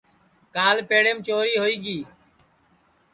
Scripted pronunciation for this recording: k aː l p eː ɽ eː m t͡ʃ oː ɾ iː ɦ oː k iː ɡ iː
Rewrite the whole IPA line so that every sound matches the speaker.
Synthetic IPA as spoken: k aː l p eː ɽ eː m t͡ʃ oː ɾ iː ɦ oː iː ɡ iː